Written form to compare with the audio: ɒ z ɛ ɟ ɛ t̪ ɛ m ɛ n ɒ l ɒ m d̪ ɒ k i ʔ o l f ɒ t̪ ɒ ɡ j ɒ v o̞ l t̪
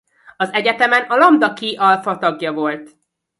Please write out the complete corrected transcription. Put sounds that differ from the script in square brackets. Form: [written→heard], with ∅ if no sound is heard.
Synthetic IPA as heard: ɒ z ɛ ɟ ɛ t̪ ɛ m ɛ n ɒ l ɒ m d̪ ɒ k i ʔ [o→ɒ] l f ɒ t̪ ɒ ɡ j ɒ v o̞ l t̪